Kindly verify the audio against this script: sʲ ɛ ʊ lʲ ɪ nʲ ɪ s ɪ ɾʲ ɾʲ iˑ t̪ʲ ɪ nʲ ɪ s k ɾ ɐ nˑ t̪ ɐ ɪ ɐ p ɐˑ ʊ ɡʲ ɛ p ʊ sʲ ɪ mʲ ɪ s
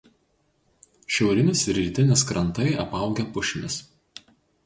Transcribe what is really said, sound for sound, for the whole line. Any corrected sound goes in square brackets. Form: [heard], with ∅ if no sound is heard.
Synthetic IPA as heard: [ʃʲ] ɛ ʊ [ɾʲ] ɪ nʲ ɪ s ɪ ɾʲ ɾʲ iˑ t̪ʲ ɪ nʲ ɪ s k ɾ ɐ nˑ t̪ ɐ ɪ ɐ p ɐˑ ʊ ɡʲ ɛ p ʊ [ʃʲ] ɪ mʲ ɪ s